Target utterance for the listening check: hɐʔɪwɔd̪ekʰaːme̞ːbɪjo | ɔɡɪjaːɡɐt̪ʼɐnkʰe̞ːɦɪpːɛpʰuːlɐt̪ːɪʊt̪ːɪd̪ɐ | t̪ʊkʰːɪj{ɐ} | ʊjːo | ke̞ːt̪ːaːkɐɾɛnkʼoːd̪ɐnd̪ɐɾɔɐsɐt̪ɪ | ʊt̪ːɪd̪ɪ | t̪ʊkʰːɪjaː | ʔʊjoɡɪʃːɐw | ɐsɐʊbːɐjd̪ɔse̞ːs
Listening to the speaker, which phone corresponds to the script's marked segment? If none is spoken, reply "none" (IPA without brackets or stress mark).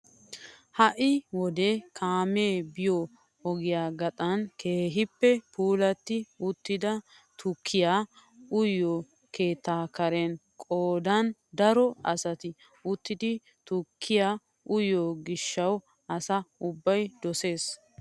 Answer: a